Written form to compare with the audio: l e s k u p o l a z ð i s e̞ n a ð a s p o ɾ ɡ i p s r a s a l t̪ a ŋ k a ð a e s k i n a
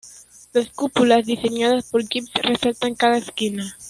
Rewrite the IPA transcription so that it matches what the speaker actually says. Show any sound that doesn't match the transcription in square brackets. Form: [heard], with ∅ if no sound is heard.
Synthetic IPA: l [a] s k u p [u] l a z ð i s e̞ [ɲ] a ð a s p o ɾ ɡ i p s r [e] s a l t̪ a ŋ k a ð a e s k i n a